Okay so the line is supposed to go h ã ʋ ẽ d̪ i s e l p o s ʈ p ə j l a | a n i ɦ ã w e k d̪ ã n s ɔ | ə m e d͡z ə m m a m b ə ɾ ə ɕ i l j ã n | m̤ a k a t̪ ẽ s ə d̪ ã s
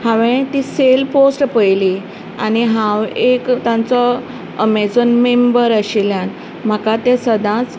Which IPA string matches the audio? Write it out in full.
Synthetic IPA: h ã ʋ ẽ t̪ i s e l p o s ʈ p ə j l i | a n i ɦ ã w e k t̪ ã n t͡s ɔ | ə m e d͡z ə n m e m b ə ɾ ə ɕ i l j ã n | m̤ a k a t̪ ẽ s ə d̪ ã t͡s